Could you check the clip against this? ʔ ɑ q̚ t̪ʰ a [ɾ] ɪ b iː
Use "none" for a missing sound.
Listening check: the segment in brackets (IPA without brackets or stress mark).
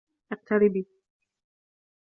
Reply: ɾ